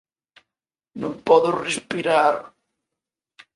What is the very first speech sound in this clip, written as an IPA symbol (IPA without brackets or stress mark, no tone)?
n